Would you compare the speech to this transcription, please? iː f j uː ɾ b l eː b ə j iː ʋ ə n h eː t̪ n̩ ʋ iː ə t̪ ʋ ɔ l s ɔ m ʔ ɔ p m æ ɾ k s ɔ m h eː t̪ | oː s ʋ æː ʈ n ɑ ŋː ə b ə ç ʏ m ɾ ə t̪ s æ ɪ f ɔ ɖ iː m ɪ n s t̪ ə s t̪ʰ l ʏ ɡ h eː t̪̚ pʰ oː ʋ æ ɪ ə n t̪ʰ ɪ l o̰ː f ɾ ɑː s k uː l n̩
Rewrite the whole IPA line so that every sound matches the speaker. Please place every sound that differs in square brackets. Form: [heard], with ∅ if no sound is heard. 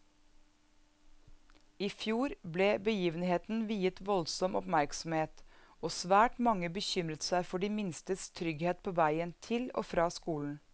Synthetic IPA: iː f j uː ɾ b l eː b ə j iː ʋ ə n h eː t̪ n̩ ʋ iː ə t̪ ʋ ɔ l s ɔ m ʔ ɔ p m æ ɾ k s ɔ m h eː t̪ | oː s ʋ æː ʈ [m] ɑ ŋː ə b ə ç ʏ m ɾ ə t̪ s æ ɪ f ɔ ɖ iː m ɪ n s t̪ ə s t̪ʰ [ɾ] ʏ ɡ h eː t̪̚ pʰ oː ʋ æ ɪ ə n t̪ʰ ɪ l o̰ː f ɾ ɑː s k uː l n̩